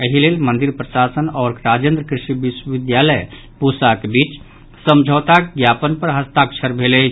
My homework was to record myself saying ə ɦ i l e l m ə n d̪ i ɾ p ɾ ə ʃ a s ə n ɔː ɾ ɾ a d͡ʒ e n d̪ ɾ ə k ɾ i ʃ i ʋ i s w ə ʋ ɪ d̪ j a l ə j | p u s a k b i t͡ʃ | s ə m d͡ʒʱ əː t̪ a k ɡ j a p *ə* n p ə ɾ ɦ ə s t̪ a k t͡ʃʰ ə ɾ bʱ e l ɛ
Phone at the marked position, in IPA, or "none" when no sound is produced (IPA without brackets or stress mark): ə